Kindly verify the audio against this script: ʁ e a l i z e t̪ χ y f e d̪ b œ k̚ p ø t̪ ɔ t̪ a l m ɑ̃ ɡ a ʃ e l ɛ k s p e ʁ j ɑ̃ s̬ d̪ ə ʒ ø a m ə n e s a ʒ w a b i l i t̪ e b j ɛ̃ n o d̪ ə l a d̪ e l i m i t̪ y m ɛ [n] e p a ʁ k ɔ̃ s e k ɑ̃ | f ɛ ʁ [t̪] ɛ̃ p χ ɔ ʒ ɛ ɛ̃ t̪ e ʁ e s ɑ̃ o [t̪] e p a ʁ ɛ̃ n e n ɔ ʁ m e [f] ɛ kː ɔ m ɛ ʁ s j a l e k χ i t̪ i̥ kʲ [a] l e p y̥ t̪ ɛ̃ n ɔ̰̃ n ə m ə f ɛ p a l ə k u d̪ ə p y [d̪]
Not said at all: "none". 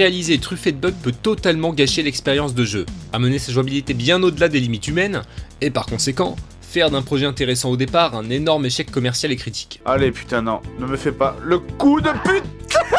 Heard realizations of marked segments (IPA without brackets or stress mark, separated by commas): n, d̪, d̪, ʃ, a, t̪